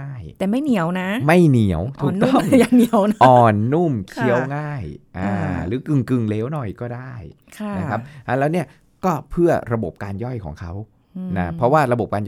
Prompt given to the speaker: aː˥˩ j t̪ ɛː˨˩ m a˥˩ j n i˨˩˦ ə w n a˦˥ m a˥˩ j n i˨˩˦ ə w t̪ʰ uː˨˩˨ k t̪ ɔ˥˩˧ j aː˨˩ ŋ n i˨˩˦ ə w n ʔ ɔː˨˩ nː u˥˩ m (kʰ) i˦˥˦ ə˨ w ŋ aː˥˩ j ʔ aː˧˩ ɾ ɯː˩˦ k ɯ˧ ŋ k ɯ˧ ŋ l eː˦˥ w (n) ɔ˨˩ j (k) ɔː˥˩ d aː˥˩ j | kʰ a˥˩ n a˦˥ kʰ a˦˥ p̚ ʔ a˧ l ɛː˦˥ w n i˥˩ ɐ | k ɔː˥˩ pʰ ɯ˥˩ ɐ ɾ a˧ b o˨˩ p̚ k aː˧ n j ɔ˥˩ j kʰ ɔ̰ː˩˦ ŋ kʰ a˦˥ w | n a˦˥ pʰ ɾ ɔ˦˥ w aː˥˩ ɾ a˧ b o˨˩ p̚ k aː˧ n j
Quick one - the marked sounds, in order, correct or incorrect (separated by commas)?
correct, correct, correct